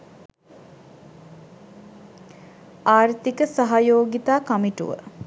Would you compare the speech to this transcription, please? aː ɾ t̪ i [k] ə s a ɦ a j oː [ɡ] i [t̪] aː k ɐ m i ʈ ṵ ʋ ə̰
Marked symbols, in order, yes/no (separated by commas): yes, yes, yes